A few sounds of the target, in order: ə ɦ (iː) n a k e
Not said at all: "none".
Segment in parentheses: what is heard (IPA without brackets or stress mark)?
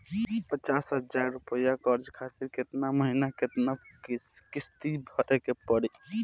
i